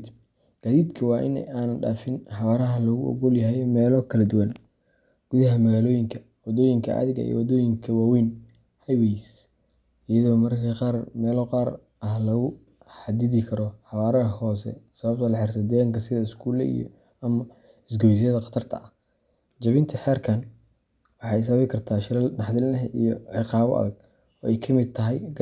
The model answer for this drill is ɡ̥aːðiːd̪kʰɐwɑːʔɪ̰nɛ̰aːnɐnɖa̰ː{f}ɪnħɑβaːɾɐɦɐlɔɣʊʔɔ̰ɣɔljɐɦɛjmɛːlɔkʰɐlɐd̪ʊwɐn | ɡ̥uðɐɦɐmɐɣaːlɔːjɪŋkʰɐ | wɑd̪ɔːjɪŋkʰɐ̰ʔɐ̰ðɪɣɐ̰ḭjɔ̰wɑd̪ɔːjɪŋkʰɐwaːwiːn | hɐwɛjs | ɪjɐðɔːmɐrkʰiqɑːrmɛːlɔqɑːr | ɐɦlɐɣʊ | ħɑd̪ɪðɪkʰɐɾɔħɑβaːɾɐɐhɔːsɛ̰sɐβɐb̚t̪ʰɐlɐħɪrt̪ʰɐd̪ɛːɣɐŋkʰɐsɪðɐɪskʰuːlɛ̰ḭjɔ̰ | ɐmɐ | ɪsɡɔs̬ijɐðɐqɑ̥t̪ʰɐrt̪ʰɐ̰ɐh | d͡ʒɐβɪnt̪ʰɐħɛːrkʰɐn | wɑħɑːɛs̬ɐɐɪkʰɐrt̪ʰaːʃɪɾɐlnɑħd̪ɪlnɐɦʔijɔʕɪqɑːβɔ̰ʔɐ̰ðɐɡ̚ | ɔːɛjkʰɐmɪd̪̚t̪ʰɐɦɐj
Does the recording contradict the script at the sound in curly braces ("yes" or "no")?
no